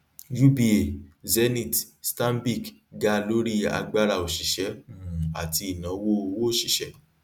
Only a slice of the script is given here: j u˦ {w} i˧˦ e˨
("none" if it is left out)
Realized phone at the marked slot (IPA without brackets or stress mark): b